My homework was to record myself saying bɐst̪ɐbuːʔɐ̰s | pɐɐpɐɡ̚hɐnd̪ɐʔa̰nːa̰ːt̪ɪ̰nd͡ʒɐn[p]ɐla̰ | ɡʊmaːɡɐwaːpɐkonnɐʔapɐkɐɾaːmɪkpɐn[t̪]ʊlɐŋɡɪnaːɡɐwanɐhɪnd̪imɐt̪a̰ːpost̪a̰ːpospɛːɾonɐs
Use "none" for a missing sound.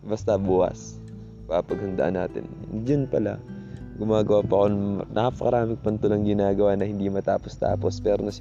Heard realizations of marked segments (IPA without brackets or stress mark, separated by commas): p, t̪